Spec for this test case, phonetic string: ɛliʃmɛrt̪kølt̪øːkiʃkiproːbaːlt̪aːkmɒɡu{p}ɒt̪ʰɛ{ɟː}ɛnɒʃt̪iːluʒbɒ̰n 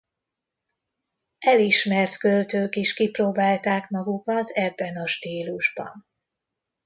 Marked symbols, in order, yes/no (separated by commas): no, no